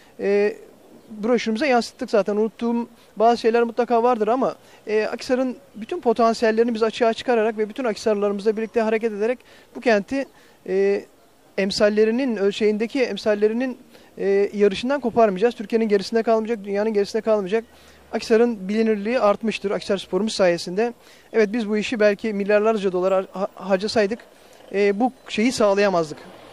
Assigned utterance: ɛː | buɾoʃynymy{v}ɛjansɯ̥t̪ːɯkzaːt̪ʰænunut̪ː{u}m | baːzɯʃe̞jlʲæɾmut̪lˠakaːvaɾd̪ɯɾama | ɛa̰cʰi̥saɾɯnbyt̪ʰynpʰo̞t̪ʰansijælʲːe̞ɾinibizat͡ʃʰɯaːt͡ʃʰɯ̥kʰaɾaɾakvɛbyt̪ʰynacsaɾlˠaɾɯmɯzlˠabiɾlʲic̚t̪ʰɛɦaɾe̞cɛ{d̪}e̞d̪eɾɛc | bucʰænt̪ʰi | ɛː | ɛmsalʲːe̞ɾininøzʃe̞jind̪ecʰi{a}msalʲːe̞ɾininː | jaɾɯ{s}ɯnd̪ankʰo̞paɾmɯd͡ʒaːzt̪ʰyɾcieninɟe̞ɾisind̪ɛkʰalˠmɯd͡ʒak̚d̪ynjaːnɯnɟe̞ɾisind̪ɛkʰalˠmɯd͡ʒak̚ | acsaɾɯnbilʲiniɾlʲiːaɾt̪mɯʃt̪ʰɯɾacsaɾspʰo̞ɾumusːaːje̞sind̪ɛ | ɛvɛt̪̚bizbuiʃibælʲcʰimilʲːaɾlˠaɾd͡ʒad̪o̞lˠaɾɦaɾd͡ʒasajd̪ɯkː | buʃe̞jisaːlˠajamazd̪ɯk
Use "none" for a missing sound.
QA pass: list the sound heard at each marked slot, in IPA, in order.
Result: z, uː, t̪, ɛ, ʃ

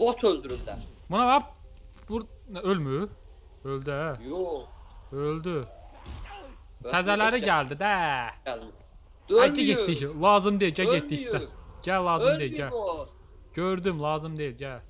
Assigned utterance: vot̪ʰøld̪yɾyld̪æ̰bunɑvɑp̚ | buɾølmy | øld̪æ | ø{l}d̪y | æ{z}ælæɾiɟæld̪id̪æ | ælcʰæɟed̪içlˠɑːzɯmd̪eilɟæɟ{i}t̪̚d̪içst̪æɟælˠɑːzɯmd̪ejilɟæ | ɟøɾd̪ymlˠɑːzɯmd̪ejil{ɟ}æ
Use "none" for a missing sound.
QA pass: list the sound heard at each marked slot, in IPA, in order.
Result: l, z, e, ɟ

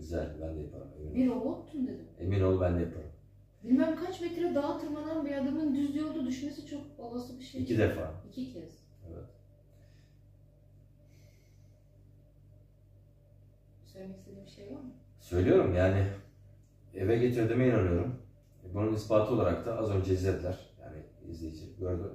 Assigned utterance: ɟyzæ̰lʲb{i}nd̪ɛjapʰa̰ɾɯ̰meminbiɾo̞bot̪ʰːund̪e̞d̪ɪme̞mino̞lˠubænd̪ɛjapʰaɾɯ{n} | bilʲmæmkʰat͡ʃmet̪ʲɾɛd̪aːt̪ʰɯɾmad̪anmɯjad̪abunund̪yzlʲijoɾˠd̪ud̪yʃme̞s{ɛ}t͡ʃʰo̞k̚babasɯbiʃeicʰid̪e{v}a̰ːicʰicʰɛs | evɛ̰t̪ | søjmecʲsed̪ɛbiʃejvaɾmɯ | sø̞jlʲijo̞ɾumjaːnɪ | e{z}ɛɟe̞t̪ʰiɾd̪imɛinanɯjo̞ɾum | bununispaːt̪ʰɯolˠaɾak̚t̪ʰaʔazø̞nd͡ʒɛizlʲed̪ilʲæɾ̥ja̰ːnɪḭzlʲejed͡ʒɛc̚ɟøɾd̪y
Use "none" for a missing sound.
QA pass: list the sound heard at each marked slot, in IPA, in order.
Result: æ, m, i, f, v

